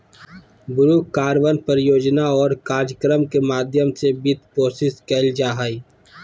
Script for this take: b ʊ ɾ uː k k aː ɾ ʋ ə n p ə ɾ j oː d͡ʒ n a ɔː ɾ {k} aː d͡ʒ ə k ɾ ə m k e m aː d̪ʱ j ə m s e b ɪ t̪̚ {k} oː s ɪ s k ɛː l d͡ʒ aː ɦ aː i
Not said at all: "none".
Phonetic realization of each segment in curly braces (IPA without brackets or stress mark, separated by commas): k, p